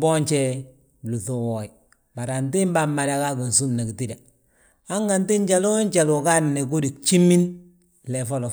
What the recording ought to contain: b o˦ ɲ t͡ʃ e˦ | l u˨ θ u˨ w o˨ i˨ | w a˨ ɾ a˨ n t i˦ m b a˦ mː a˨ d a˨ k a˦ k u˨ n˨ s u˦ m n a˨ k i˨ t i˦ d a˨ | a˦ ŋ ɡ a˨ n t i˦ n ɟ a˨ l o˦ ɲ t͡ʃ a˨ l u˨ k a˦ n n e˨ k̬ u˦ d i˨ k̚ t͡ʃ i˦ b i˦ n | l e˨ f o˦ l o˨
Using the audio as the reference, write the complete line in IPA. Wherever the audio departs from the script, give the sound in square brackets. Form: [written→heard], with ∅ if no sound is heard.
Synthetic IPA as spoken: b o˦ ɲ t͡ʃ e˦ | l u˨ θ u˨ w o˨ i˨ | [w→b] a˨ ɾ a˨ n t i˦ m b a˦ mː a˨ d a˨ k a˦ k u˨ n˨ s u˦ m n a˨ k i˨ t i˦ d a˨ | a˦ ŋ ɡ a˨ n t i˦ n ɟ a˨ l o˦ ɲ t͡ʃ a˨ l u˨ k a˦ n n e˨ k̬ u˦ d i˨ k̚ t͡ʃ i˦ [b→m] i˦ n | l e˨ f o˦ l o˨